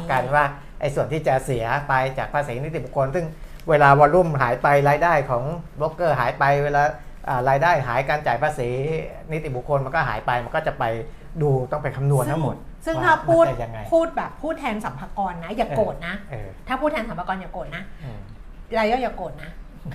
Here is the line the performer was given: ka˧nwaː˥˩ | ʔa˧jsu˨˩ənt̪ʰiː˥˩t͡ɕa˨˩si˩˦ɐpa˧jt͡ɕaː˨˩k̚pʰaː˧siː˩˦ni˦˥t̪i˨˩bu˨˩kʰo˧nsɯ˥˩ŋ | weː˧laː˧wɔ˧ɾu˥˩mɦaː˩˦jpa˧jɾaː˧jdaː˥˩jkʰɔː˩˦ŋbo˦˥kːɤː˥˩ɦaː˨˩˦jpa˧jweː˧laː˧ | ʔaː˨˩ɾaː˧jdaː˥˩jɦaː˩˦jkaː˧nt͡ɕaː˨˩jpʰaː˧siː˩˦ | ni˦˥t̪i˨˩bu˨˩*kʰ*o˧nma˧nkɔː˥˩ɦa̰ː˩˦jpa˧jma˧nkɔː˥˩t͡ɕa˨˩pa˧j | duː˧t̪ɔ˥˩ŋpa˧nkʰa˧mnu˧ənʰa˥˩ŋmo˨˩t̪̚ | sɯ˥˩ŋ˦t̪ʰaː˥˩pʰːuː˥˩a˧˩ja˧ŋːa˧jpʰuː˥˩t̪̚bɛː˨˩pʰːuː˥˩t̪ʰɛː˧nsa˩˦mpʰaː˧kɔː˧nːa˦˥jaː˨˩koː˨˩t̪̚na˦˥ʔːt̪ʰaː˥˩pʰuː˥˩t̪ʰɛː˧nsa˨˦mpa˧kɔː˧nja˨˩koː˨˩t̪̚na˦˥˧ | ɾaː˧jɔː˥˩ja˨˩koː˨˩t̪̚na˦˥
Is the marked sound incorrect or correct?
correct